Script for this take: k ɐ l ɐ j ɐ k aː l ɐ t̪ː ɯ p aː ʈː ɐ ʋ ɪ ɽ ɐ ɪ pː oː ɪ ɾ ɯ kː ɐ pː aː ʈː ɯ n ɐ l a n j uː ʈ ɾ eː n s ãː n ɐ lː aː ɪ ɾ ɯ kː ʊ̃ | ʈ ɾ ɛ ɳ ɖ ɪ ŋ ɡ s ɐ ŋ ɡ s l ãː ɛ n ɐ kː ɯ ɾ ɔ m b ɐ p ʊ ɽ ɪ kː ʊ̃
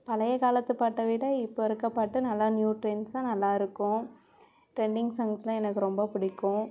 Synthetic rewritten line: p ɐ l ɐ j ɐ k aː l ɐ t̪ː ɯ p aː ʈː ɐ ʋ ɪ ɽ ɐ ɪ pː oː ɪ ɾ ɯ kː ɐ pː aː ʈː ɯ n ɐ lː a n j uː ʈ ɾ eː n s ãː n ɐ lː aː ɪ ɾ ɯ kː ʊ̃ | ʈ ɾ ɛ ɳ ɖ ɪ ŋ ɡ s ɐ ŋ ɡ s l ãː ɛ n ɐ kː ɯ ɾ ɔ m b ɐ p ʊ ɽ ɪ kː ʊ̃